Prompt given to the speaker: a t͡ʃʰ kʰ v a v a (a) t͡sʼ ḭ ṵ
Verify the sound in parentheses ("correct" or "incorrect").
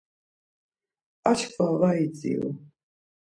incorrect